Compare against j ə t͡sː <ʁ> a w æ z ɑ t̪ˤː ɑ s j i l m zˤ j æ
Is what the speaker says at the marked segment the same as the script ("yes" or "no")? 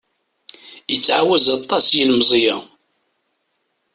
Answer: no